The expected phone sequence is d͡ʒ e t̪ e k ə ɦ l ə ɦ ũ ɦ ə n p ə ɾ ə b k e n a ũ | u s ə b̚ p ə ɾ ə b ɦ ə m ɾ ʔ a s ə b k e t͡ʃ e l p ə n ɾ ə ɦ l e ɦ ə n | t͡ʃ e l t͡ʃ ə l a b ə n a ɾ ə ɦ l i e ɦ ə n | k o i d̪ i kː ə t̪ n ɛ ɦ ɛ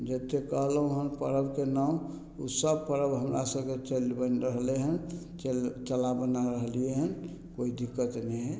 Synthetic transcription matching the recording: d͡ʒ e t̪ e k ə ɦ l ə ɦ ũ ɦ ə n p ə ɾ ə b k e n a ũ | u s ə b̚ p ə ɾ ə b ɦ ə m ɾ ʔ a s ə b k e t͡ʃ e l b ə n ɾ ə ɦ l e ɦ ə n | t͡ʃ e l t͡ʃ ə l a b ə n a ɾ ə ɦ l i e ɦ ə n | k o i d̪ i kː ə t̪ n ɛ ɦ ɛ